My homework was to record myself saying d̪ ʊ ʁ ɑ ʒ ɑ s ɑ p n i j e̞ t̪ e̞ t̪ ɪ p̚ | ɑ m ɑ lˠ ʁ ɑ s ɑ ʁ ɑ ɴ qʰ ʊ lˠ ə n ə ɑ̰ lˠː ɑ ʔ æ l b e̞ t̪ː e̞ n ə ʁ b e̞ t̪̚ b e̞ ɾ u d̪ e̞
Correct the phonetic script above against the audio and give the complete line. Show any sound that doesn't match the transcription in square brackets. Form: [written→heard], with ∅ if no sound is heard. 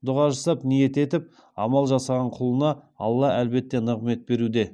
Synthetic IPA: d̪ ʊ ʁ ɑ ʒ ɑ s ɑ p n i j e̞ t̪ e̞ t̪ ɪ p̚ | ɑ m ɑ lˠ [ʁ→ʒ] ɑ s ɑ ʁ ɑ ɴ qʰ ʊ lˠ ə n [ə→ɑ] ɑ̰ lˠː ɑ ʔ æ l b e̞ t̪ː e̞ n ə ʁ [b→m] e̞ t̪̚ b e̞ ɾ u d̪ e̞

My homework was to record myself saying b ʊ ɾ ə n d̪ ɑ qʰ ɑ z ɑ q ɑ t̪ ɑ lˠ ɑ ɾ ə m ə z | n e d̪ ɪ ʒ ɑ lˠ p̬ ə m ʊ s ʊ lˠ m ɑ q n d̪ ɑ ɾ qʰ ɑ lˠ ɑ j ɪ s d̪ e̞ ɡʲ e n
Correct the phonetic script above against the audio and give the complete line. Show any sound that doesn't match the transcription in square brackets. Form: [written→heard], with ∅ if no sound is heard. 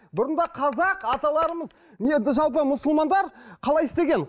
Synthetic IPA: b ʊ ɾ ə n d̪ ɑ qʰ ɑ z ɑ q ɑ t̪ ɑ lˠ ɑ ɾ ə m ə z | n e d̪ ɪ ʒ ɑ lˠ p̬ ə m ʊ s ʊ lˠ m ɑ [q→∅] n d̪ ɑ ɾ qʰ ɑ lˠ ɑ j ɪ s [d̪→t̪] e̞ ɡʲ e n

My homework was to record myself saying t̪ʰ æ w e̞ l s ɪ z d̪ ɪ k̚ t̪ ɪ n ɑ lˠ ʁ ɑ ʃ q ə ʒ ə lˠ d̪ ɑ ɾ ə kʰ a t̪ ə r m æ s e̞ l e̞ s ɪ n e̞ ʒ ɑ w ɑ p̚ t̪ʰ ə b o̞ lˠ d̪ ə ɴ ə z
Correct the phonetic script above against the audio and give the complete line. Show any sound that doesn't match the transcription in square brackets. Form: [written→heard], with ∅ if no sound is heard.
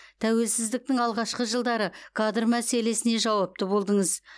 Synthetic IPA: t̪ʰ æ w e̞ l s ɪ z d̪ ɪ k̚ t̪ ɪ [n→ŋ] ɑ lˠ ʁ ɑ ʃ q ə ʒ ə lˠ d̪ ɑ ɾ ə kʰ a [t̪→d̪] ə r m æ s e̞ l e̞ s ɪ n e̞ ʒ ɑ w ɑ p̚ [t̪ʰ→t̪] ə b o̞ lˠ d̪ ə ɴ ə z

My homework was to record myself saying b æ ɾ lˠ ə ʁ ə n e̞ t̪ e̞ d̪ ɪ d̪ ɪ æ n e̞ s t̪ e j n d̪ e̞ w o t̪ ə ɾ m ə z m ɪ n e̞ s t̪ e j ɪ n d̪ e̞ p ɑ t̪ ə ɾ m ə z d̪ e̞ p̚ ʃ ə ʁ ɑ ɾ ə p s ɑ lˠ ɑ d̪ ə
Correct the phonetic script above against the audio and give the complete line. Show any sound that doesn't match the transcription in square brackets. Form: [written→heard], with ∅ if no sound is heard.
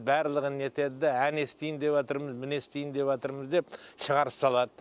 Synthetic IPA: b æ ɾ lˠ ə ʁ ə n e̞ t̪ e̞ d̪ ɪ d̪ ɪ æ n e̞ s t̪ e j n d̪ e̞ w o t̪ ə ɾ m ə z m ɪ n e̞ s t̪ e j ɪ n d̪ e̞ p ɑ t̪ ə ɾ m ə z d̪ e̞ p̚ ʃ ə ʁ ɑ ɾ ə p s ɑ lˠ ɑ d̪ ə

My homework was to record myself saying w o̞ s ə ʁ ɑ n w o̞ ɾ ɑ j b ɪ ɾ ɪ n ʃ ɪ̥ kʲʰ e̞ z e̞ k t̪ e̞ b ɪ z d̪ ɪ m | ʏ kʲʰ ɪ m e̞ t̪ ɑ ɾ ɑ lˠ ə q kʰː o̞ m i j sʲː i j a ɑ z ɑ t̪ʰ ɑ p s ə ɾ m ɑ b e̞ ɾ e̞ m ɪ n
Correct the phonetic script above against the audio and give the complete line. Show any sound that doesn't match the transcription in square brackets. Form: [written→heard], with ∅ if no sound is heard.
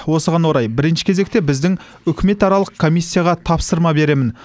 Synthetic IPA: w o̞ s ə ʁ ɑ n w o̞ ɾ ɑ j b ɪ ɾ ɪ n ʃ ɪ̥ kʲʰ e̞ z e̞ k t̪ e̞ b ɪ z d̪ ɪ [m→ŋ] | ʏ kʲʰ ɪ m e̞ t̪ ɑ ɾ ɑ lˠ ə q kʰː o̞ m i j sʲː i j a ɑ [z→ʁ] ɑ t̪ʰ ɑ p s ə ɾ m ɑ b e̞ ɾ e̞ m ɪ n

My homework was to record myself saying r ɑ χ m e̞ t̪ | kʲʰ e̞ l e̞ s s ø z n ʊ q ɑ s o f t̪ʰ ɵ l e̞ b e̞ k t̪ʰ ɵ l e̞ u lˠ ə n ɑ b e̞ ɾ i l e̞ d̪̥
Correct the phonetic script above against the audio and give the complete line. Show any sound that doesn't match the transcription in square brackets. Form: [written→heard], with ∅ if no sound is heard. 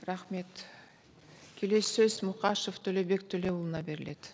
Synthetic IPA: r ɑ χ m e̞ t̪ | kʲʰ e̞ l e̞ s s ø z [n→m] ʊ q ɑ [s→ʃ] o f t̪ʰ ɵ l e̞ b e̞ k t̪ʰ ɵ l e̞ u lˠ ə n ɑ b e̞ ɾ [i→ɪ] l e̞ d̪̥

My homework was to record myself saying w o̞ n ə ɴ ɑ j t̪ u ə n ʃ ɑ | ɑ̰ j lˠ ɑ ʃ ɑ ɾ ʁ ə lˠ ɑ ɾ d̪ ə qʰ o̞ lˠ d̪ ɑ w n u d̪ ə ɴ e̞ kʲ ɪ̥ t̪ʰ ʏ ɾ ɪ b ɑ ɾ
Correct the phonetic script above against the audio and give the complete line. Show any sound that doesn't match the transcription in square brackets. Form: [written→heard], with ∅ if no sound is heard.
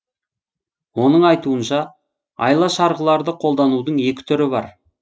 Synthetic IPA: w o̞ n ə ɴ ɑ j t̪ u ə n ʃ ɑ | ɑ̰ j lˠ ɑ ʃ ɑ ɾ ʁ ə lˠ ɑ ɾ d̪ ə qʰ o̞ lˠ d̪ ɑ [w→∅] n u d̪ ə ɴ e̞ kʲ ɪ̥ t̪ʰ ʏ ɾ ɪ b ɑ ɾ

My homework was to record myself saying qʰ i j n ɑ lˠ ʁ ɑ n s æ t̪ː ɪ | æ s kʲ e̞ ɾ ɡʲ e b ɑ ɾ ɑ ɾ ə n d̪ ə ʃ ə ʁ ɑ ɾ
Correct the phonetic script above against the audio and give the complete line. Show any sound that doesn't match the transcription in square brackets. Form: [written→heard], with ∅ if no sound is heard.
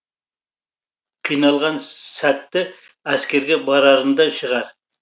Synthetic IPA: qʰ i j n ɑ lˠ ʁ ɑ n s æ t̪ː ɪ | æ s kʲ e̞ ɾ ɡʲ e b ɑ ɾ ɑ ɾ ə n d̪ [ə→ɑ] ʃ ə ʁ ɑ ɾ

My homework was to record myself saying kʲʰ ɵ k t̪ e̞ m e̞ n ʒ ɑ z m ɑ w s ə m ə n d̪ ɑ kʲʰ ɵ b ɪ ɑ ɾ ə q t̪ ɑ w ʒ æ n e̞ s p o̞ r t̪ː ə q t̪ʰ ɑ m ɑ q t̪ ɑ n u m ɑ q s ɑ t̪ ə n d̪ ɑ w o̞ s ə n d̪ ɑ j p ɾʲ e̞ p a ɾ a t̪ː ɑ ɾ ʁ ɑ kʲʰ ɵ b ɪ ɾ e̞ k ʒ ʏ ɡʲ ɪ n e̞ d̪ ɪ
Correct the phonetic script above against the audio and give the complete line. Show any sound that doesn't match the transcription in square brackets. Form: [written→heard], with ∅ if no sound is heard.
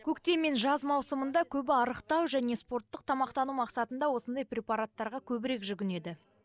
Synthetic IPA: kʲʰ ɵ k t̪ e̞ m e̞ n ʒ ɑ z m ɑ w s ə m ə n d̪ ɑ kʲʰ ɵ b ɪ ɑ ɾ ə q t̪ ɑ w ʒ æ n e̞ s p o̞ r t̪ː ə q t̪ʰ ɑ m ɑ q t̪ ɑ n u m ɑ q s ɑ t̪ ə n d̪ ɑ w o̞ s ə n d̪ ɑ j p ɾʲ e̞ p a ɾ a t̪ː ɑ ɾ ʁ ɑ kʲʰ ɵ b ɪ ɾ e̞ k ʒ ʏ ɡʲ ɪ n e̞ d̪ ɪ

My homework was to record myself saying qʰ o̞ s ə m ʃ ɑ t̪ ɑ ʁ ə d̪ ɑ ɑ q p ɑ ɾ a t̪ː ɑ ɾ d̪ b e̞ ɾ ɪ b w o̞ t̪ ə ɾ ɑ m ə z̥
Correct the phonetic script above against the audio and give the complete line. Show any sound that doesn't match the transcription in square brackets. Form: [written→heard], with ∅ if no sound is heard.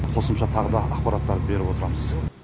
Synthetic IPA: qʰ o̞ s ə m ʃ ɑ [t̪→t̪ʰ] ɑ ʁ ə d̪ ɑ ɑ q p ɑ ɾ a t̪ː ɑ ɾ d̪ b e̞ ɾ ɪ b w o̞ t̪ ə ɾ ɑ m ə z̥

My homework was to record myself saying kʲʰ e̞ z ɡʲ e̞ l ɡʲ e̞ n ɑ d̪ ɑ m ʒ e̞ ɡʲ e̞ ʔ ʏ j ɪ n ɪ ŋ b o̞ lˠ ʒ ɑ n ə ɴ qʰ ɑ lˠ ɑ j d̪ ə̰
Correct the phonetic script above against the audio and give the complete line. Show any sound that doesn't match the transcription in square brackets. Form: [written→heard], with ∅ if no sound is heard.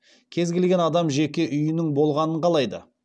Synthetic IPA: kʲʰ e̞ z ɡʲ e̞ l ɡʲ e̞ n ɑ d̪ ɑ m ʒ e̞ [ɡʲ→kʲ] e̞ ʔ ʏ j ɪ n ɪ ŋ b o̞ lˠ [ʒ→ʁ] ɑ n ə ɴ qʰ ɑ lˠ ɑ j d̪ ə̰

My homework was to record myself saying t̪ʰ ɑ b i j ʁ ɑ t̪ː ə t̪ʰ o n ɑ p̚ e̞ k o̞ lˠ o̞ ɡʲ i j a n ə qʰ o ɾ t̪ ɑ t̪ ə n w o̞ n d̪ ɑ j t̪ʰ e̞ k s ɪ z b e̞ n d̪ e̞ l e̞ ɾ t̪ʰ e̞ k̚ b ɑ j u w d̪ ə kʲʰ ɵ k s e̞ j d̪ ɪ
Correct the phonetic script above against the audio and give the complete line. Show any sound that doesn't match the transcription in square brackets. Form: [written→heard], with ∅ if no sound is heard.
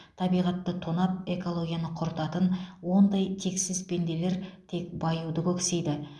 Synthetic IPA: t̪ʰ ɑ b i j ʁ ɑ t̪ː ə t̪ʰ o n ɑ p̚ e̞ k o̞ lˠ o̞ ɡʲ i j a n ə qʰ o ɾ t̪ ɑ t̪ ə n w o̞ n d̪ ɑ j t̪ʰ e̞ k s ɪ z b e̞ n d̪ e̞ l e̞ ɾ t̪ʰ e̞ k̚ b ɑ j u w d̪ ə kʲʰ ɵ k s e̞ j d̪ ɪ

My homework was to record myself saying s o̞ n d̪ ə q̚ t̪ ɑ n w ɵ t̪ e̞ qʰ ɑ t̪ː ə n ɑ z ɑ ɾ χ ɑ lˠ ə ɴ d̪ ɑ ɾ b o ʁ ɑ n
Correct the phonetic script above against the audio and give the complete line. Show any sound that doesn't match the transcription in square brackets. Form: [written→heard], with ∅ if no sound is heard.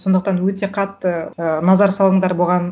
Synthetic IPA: s o̞ n d̪ ə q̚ t̪ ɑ n w ɵ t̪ e̞ qʰ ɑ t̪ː ə n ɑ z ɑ ɾ [χ→s] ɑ lˠ ə ɴ d̪ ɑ ɾ b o ʁ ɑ n

